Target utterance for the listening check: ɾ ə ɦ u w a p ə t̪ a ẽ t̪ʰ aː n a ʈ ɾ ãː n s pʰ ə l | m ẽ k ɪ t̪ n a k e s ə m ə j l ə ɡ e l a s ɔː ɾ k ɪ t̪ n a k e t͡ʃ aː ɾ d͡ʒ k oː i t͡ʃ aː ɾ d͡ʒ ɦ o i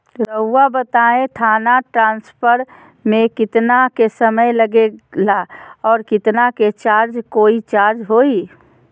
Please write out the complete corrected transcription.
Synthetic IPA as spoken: ɾ ə ɦ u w a b ə t̪ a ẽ t̪ʰ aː n a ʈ ɾ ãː n s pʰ ə ɾ | m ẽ k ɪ t̪ n a k e s ə m ə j l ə ɡ e l a ɔː ɾ k ɪ t̪ n a k e t͡ʃ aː ɾ d͡ʒ k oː i t͡ʃ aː ɾ d͡ʒ ɦ o i